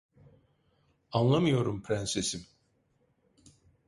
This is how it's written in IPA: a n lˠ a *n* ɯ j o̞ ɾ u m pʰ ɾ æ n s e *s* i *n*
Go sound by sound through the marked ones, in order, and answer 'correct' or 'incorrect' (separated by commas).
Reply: incorrect, correct, incorrect